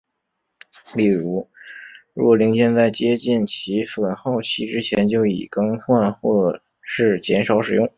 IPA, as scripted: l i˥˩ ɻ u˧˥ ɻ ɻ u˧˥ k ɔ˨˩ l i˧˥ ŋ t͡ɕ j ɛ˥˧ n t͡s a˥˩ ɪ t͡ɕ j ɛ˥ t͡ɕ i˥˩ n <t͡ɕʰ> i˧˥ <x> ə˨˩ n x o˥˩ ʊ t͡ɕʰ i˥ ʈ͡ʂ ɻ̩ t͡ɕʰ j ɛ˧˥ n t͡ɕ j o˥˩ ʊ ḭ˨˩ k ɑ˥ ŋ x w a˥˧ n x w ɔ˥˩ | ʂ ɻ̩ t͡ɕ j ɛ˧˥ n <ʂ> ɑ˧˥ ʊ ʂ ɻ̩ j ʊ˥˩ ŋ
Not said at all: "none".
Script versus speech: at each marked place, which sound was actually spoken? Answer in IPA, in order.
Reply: t͡ɕʰ, f, ʂ

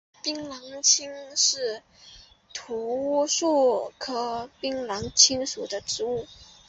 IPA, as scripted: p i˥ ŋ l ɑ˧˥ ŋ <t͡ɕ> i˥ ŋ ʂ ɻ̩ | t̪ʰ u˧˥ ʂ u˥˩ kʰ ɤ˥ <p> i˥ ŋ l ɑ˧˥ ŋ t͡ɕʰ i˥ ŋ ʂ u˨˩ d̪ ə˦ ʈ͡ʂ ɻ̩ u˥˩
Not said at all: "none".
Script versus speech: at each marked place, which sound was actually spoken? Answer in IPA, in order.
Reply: t͡ɕʰ, p

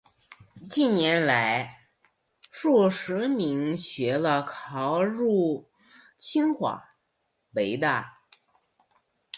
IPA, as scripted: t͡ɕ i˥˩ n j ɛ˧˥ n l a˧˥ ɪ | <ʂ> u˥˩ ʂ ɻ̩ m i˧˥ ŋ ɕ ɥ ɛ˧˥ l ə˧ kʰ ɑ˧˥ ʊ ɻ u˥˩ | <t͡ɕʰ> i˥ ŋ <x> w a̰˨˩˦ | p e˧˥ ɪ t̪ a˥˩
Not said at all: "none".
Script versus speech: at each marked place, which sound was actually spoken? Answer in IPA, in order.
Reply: ʂ, t͡ɕʰ, x

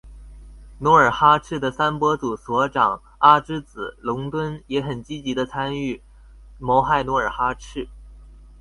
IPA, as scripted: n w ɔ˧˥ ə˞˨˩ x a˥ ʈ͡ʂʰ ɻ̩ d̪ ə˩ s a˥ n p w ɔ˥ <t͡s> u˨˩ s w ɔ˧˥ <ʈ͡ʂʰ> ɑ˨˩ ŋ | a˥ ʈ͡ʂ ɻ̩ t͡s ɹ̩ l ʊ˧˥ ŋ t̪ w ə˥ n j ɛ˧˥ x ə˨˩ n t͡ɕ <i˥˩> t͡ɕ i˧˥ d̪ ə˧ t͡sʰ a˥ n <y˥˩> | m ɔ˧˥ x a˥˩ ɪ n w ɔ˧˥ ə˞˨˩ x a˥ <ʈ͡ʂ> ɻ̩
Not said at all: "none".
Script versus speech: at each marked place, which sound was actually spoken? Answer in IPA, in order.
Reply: t͡s, ʈ͡ʂ, i˥, y˥˩, ʈ͡ʂʰ

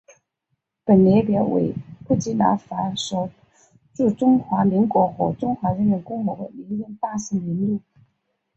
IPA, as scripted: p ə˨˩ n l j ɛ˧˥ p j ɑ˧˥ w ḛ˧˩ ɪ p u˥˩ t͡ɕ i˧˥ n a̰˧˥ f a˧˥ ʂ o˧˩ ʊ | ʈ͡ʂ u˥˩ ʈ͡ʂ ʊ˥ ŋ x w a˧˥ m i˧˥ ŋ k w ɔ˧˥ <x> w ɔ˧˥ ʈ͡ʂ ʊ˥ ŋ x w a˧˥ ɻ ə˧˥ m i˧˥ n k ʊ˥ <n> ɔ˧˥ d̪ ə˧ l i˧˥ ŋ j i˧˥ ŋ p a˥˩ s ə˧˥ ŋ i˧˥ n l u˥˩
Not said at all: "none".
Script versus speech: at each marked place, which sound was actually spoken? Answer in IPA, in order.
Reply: x, ŋ

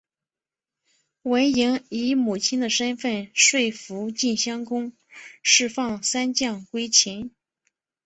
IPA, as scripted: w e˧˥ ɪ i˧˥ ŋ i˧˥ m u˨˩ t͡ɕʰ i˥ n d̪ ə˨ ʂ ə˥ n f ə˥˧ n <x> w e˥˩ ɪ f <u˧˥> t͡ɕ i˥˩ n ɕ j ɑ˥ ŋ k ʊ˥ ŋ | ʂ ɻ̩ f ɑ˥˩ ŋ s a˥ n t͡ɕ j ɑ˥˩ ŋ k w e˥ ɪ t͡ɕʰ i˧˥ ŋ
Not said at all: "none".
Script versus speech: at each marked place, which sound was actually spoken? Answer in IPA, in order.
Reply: ʂ, u˧˥

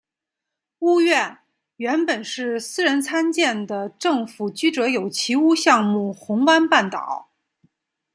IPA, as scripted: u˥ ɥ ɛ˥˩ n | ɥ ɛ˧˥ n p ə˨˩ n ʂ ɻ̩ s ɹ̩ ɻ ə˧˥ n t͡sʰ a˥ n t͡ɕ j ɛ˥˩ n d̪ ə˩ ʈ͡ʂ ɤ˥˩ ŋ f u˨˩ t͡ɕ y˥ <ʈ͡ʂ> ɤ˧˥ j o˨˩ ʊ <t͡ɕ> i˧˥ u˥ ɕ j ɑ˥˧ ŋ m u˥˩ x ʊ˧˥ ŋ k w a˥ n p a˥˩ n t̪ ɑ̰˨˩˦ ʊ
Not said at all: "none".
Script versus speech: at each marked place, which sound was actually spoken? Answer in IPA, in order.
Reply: ʈ͡ʂ, t͡ɕʰ

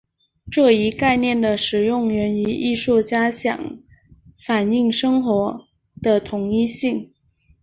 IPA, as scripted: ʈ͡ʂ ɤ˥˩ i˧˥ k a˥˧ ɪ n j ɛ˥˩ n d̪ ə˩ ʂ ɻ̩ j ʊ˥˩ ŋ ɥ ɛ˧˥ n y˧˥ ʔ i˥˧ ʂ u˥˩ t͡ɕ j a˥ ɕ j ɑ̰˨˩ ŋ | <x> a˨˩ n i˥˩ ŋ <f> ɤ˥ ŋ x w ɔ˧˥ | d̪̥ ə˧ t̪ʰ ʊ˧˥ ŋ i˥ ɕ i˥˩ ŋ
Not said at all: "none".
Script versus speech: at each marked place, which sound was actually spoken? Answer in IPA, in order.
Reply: f, ʂ

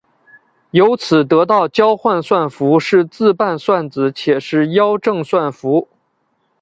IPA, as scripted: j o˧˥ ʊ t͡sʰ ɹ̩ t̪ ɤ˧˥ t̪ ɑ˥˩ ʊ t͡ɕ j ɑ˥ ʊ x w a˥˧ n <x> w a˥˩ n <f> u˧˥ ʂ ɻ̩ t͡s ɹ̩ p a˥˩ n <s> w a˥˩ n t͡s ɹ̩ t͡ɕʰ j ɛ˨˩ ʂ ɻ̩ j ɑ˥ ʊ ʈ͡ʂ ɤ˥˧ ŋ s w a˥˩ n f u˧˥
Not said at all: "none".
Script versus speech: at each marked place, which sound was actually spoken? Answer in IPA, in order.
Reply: s, f, s

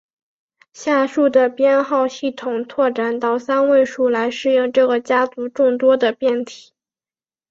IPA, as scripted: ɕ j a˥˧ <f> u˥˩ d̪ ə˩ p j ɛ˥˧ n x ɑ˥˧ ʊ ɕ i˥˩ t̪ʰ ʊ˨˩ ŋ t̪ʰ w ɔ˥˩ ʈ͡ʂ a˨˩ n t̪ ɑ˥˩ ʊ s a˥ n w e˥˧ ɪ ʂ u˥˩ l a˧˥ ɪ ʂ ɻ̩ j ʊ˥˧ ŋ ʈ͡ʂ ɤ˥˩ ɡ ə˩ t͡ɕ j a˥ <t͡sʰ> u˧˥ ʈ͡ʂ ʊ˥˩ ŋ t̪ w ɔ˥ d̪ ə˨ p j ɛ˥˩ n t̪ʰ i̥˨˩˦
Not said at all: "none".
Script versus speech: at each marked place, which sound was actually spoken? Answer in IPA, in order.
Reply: ʂ, t͡s

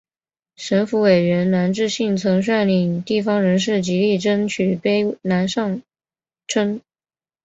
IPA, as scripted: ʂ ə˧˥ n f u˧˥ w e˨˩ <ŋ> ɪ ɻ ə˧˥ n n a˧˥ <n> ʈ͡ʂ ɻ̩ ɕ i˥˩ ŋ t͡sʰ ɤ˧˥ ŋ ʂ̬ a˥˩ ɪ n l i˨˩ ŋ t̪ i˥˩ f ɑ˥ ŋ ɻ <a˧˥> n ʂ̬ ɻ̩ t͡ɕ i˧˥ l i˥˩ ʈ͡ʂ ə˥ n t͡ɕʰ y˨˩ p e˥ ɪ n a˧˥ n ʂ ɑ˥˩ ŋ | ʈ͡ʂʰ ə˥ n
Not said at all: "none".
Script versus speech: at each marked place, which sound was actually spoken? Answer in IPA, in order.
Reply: none, n, ə˧˥

